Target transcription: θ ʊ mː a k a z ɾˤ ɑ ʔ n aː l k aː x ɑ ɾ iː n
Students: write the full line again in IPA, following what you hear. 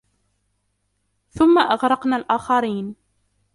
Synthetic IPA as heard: θ ʊ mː a ʔ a ɣ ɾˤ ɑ q n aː l ʔ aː x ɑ ɾ iː n